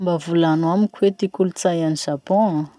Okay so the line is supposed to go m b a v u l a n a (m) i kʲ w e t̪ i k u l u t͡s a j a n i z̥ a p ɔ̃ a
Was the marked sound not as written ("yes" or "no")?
no